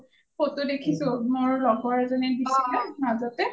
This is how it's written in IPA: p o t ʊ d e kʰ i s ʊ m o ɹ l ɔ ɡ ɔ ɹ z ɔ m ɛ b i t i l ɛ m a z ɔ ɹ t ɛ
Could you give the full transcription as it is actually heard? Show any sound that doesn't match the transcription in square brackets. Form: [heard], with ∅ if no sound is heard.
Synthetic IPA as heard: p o t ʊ d e kʰ i s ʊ m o ɹ l ɔ ɡ ɔ ɹ z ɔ [n] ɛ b i [s] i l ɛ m a z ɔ [∅] t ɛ